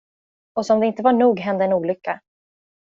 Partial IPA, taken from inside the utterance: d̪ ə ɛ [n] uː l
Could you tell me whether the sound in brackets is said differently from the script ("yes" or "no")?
no